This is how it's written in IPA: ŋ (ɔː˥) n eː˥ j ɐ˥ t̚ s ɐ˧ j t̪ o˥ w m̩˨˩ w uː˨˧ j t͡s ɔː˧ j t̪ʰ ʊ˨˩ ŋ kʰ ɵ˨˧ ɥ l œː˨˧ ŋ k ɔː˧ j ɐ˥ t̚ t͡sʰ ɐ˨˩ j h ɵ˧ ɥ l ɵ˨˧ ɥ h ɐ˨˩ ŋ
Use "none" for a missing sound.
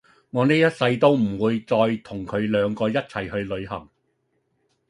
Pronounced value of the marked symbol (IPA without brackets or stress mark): ɔː˨˧